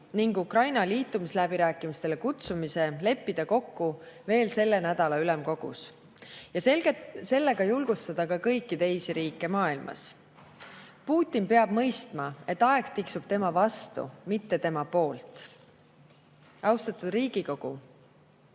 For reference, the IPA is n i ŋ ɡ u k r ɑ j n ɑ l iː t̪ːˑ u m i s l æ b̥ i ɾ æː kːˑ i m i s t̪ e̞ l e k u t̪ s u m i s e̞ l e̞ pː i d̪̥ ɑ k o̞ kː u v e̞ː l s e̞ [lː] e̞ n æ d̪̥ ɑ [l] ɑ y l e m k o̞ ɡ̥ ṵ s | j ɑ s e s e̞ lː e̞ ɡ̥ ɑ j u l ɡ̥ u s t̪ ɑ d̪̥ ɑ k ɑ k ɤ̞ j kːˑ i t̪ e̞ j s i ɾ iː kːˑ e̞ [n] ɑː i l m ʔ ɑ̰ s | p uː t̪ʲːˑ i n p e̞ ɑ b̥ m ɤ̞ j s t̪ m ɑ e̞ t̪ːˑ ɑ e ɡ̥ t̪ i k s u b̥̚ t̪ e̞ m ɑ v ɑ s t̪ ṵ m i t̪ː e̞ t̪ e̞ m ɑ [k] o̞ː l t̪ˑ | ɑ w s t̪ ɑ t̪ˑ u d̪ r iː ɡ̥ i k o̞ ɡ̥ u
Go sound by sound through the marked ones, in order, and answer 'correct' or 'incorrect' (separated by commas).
correct, correct, incorrect, incorrect